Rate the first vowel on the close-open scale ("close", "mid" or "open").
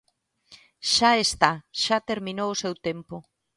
open